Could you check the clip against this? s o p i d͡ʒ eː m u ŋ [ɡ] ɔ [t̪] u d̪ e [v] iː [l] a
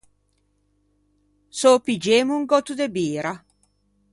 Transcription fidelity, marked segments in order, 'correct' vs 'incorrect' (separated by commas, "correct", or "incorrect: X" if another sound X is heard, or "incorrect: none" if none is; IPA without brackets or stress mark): correct, correct, incorrect: b, incorrect: ɾ